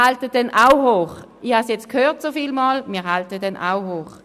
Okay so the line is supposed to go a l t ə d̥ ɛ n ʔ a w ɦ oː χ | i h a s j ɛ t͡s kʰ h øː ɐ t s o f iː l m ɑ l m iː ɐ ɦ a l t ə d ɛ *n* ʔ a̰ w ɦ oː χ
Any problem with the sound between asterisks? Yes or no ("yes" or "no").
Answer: no